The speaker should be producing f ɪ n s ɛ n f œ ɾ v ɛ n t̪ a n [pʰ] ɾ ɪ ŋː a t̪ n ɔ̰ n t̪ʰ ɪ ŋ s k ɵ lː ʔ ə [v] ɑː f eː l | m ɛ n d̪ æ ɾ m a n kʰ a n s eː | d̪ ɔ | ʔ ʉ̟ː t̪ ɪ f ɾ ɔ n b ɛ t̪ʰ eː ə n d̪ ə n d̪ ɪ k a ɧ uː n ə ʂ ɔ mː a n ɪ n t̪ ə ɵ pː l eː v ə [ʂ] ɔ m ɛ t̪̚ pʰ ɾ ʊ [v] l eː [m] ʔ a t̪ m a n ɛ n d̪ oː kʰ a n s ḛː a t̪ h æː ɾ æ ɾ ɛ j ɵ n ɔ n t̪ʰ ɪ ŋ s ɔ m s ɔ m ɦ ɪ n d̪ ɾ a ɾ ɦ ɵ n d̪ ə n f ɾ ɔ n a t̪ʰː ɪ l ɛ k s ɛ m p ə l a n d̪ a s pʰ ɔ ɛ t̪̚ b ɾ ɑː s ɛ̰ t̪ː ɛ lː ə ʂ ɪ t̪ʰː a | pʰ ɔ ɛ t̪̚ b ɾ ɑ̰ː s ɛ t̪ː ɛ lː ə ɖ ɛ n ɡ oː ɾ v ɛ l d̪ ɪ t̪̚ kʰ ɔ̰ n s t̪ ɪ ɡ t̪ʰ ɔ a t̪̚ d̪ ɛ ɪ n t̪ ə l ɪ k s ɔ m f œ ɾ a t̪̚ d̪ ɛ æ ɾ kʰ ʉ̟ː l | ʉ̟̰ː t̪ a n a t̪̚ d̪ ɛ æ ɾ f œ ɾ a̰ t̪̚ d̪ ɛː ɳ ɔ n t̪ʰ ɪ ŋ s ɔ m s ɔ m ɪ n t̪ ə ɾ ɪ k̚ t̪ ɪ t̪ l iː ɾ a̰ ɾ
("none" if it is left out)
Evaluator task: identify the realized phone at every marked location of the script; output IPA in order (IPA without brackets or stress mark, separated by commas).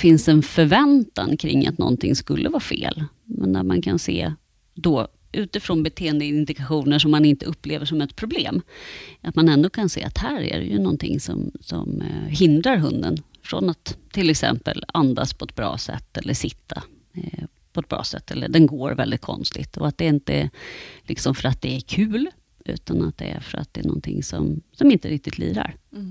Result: kʰ, v, ʂ, b, m